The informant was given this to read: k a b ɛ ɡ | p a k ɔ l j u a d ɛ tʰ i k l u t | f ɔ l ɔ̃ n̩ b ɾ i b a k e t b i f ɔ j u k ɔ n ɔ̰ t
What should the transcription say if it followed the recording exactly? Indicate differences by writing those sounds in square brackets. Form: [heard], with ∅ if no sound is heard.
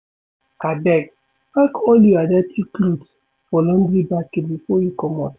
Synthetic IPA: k a b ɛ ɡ | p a k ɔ l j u a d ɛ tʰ i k l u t | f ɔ l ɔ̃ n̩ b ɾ i b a k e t b i f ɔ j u k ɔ [m] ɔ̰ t